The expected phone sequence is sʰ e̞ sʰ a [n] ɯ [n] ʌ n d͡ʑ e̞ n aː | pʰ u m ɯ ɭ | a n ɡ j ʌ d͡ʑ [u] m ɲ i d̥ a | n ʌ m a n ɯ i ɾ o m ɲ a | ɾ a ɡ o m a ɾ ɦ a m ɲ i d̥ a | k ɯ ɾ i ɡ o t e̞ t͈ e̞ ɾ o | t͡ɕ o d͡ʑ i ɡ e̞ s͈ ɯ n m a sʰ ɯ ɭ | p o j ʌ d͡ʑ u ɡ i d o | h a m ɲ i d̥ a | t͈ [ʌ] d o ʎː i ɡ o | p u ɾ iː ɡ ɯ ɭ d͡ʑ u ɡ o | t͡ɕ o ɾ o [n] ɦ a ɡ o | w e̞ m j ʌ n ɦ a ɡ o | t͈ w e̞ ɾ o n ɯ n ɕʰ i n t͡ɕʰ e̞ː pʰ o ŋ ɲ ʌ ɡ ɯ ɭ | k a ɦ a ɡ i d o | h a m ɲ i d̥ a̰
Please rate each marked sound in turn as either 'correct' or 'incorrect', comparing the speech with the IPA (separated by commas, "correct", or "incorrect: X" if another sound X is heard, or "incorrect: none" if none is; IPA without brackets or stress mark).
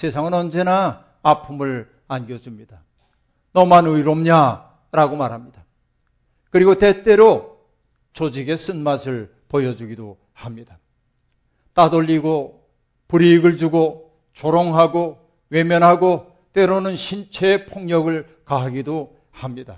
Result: incorrect: ŋ, correct, correct, incorrect: a, incorrect: ŋ